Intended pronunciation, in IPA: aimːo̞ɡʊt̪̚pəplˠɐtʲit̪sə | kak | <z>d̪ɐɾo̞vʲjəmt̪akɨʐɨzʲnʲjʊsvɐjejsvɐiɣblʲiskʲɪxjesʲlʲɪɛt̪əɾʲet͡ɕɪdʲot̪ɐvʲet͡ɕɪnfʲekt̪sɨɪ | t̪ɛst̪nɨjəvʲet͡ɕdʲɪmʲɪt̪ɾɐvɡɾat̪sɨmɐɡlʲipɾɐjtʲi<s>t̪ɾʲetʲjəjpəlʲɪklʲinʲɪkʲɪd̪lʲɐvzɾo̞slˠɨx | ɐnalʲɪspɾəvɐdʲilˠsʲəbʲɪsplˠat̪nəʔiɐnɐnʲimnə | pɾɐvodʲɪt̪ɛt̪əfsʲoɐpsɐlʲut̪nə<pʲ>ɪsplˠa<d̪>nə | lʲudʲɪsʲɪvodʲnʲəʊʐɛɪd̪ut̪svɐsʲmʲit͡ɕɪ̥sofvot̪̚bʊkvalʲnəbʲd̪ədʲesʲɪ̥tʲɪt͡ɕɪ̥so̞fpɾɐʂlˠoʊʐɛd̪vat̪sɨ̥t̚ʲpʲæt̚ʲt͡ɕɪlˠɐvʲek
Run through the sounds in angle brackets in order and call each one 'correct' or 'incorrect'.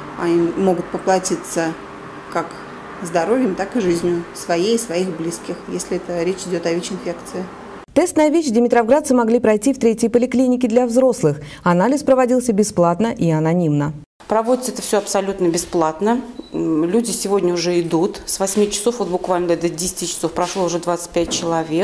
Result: correct, incorrect, incorrect, incorrect

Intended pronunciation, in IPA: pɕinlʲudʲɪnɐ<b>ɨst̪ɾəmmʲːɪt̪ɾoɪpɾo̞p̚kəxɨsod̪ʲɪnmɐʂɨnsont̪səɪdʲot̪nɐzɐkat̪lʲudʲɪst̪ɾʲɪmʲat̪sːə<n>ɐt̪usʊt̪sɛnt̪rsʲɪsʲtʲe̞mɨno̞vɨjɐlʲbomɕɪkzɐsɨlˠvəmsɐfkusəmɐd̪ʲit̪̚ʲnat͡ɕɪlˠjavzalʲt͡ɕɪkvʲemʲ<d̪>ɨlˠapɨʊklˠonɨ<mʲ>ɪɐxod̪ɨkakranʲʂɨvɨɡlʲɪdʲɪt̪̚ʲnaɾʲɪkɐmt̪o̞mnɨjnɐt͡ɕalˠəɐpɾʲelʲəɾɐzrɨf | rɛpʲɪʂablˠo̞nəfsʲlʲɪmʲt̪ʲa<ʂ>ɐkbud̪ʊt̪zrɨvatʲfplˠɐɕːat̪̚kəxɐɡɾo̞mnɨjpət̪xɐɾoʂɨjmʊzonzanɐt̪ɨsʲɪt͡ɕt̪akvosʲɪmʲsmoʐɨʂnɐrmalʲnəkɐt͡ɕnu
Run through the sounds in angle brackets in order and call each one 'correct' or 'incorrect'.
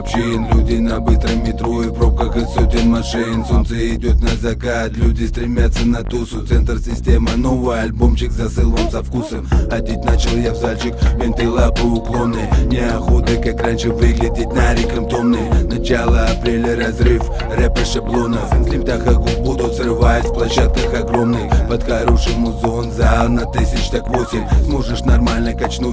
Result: correct, correct, incorrect, incorrect, incorrect

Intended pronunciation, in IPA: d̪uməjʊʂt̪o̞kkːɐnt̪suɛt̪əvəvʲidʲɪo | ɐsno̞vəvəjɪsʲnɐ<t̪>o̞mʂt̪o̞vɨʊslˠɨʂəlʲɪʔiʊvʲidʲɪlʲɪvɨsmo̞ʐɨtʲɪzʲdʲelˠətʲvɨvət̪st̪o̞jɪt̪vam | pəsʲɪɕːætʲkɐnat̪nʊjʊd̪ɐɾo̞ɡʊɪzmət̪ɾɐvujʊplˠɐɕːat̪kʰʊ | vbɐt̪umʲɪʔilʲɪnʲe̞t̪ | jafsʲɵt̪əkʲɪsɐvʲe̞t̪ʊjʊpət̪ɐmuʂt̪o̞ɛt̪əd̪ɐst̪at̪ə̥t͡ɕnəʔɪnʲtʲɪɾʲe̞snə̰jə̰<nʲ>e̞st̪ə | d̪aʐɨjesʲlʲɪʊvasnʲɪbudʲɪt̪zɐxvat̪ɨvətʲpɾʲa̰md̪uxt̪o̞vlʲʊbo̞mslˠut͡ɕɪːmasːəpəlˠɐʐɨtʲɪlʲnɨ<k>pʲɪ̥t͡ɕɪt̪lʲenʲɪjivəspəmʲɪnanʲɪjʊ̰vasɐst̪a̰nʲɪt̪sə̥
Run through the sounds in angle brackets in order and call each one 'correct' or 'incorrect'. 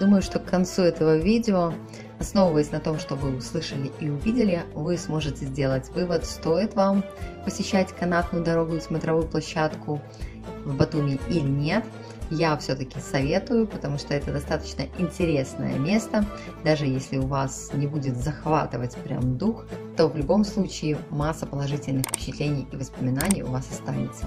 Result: correct, incorrect, incorrect

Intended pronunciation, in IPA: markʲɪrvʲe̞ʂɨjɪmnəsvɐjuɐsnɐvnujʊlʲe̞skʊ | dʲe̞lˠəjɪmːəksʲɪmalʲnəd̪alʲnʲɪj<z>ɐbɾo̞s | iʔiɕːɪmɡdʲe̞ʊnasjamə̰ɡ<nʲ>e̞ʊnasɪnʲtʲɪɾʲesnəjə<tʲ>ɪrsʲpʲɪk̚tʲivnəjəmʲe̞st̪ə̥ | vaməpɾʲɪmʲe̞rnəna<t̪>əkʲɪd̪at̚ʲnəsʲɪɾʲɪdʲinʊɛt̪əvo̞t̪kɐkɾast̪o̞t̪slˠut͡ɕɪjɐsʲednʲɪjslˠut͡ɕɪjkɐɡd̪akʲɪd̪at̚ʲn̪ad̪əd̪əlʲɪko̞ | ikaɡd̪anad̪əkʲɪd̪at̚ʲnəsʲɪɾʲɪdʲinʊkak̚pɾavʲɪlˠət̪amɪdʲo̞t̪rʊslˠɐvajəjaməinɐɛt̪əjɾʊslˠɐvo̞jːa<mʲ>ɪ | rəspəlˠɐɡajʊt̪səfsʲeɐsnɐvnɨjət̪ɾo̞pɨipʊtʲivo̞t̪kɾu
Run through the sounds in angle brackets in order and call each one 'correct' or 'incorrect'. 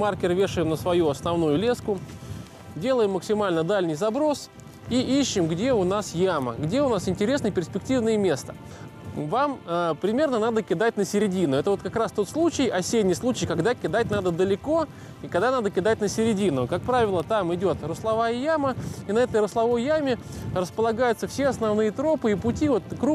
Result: correct, incorrect, incorrect, incorrect, correct

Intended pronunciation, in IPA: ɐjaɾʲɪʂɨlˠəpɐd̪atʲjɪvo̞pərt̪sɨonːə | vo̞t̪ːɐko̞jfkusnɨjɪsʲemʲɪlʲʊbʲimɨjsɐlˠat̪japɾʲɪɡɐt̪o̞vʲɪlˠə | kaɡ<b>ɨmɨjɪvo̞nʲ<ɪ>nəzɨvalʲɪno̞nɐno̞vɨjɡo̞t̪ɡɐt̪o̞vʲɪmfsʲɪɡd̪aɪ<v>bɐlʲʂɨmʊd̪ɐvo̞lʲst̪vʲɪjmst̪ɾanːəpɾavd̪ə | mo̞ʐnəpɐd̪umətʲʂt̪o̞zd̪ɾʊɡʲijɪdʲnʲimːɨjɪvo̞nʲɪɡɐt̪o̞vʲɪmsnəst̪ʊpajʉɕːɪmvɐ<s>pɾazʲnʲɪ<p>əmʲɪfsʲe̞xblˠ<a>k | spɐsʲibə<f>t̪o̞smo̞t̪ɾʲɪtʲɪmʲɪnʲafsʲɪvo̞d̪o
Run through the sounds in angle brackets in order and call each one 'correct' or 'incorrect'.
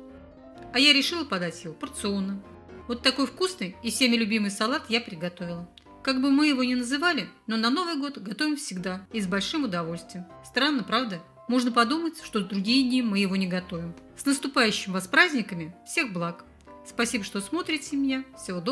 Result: correct, correct, incorrect, correct, incorrect, correct, incorrect

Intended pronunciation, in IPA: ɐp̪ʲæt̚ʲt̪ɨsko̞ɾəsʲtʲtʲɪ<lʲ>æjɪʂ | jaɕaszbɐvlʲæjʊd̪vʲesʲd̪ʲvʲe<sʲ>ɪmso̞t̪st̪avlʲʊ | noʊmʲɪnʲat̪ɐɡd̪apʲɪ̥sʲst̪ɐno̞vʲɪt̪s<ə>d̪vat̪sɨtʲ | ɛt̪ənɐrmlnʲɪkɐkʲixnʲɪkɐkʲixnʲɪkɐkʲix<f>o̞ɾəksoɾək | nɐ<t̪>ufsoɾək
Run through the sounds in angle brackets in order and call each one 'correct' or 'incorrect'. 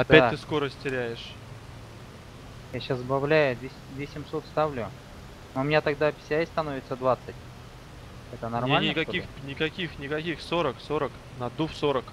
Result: incorrect, correct, correct, incorrect, incorrect

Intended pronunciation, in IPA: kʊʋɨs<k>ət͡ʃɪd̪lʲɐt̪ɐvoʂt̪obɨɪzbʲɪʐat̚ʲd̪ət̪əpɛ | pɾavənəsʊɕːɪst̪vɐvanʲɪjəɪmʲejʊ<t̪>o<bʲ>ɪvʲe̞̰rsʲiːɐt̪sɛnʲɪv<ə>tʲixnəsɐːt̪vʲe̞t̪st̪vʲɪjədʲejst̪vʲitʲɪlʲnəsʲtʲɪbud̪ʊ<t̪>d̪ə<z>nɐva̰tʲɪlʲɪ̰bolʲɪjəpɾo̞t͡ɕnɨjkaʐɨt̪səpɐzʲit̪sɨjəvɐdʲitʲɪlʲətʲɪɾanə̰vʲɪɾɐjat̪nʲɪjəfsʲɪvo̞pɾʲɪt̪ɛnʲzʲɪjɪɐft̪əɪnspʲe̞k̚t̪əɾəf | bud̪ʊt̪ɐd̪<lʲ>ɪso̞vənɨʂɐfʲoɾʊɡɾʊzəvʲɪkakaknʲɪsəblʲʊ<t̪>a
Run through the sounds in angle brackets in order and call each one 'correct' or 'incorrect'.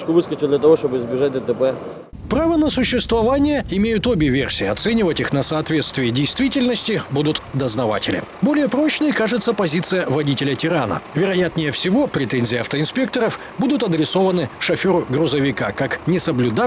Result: correct, correct, correct, correct, correct, correct, incorrect, incorrect

